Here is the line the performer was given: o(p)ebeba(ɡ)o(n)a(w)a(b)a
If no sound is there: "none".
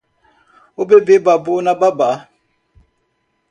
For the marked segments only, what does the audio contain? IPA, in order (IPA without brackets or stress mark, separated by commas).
b, b, n, b, b